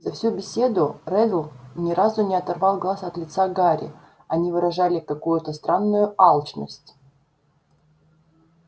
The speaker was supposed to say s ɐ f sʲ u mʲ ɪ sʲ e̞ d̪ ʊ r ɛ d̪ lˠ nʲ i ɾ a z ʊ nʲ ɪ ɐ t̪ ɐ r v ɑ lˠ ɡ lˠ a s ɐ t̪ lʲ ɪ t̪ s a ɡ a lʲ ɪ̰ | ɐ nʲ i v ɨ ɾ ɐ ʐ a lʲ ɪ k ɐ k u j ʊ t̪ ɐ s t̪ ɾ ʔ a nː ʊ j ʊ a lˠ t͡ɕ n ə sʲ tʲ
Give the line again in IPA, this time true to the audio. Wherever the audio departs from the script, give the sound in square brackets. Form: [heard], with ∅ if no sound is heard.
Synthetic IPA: [z] ɐ f sʲ u [bʲ] ɪ sʲ e̞ d̪ ʊ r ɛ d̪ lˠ nʲ [ɪ] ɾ a z ʊ nʲ ɪ ɐ t̪ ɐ r v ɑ lˠ ɡ lˠ a s ɐ t̪ lʲ ɪ t̪ s a ɡ a [ɾʲ] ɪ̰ | ɐ nʲ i v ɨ ɾ ɐ ʐ a lʲ ɪ k ɐ k u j ʊ t̪ [ə] s t̪ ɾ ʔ a nː ʊ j ʊ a lˠ t͡ɕ n ə sʲ tʲ

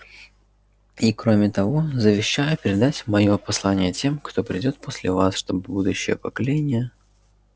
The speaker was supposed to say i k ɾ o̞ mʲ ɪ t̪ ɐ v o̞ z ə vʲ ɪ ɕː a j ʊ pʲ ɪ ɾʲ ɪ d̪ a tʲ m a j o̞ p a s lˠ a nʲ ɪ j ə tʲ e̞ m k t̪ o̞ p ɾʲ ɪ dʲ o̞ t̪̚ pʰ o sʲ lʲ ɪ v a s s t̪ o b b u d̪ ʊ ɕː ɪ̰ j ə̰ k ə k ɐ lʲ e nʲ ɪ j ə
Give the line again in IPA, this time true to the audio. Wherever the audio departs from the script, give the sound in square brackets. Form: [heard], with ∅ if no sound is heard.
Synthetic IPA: i k ɾ o̞ mʲ ɪ t̪ ɐ v o̞ z ə vʲ ɪ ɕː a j ʊ pʲ ɪ ɾʲ ɪ d̪ a tʲ m [ɐ] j o̞ p [ɐ] s lˠ a nʲ ɪ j ə tʲ e̞ m k t̪ o̞ p ɾʲ ɪ dʲ o̞ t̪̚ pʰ o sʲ lʲ ɪ v a s [ʂ] t̪ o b b u d̪ ʊ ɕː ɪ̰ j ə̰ [p] ə k ɐ lʲ e nʲ ɪ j ə

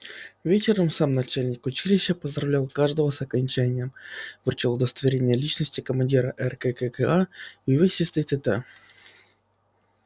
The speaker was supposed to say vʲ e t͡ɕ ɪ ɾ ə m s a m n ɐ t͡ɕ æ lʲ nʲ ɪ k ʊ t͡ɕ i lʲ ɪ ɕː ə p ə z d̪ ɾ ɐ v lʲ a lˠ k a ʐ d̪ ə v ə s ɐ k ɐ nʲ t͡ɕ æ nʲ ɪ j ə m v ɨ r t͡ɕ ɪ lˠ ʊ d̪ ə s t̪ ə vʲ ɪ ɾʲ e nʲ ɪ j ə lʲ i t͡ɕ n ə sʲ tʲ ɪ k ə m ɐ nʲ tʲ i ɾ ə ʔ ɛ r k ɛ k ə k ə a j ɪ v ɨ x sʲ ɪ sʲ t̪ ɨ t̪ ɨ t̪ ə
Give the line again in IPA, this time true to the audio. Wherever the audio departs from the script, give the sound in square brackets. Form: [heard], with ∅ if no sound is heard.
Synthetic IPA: vʲ e t͡ɕ ɪ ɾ ə m s a m n ɐ t͡ɕ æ lʲ nʲ ɪ k ʊ t͡ɕ i lʲ ɪ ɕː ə p ə z d̪ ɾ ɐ v lʲ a lˠ k a ʐ d̪ ə v ə s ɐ k ɐ nʲ t͡ɕ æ nʲ ɪ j ə m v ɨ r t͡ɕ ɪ lˠ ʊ d̪ ə s t̪ ə vʲ ɪ ɾʲ e nʲ ɪ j ə lʲ i t͡ɕ n ə sʲ tʲ ɪ k ə m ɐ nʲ [dʲ] i ɾ ə ʔ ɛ r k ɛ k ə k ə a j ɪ v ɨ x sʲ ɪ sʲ t̪ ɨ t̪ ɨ t̪ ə

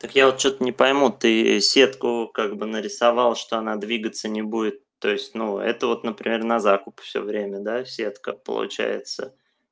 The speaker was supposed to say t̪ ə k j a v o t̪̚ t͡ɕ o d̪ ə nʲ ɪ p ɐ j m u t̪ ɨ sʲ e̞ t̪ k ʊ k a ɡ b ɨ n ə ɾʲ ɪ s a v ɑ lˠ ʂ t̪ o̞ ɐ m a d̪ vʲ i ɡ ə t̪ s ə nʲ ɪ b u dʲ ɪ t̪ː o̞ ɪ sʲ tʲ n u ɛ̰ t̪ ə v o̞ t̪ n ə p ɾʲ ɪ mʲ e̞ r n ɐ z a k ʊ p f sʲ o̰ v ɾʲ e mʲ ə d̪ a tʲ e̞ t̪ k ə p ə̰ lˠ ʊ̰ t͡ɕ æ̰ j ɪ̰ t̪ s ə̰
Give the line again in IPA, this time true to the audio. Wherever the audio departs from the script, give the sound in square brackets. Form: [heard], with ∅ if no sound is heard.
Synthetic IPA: t̪ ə k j a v o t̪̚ t͡ɕ o [t̪] ə nʲ ɪ p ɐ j m u t̪ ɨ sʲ e̞ t̪ k ʊ k a ɡ b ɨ n ə ɾʲ ɪ s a v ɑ lˠ ʂ t̪ o̞ ɐ [n] a d̪ vʲ i ɡ ə t̪ s ə nʲ ɪ b u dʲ ɪ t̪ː o̞ ɪ sʲ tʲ n u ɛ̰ t̪ ə v o̞ t̪ n ə p ɾʲ ɪ mʲ e̞ r n ɐ z a k ʊ p f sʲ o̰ v ɾʲ e mʲ ə d̪ a [sʲ] e̞ t̪ k ə p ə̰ lˠ ʊ̰ t͡ɕ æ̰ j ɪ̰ t̪ s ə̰

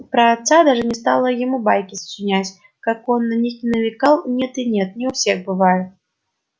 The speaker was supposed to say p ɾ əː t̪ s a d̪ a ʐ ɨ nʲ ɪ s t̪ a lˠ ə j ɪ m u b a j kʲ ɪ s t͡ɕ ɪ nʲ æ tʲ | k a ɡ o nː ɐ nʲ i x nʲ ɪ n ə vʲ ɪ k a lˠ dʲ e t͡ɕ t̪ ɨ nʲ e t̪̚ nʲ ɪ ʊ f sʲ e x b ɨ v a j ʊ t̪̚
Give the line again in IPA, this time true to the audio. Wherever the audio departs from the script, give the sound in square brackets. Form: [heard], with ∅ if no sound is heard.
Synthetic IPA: p ɾ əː t̪ s a d̪ a ʐ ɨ nʲ ɪ s t̪ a lˠ ə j ɪ m u b a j kʲ ɪ s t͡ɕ ɪ nʲ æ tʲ | k a [k] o nː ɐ nʲ i x nʲ ɪ n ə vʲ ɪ k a lˠ [nʲ] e [∅] t̪ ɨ nʲ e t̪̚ nʲ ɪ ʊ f sʲ e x b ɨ v a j ʊ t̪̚

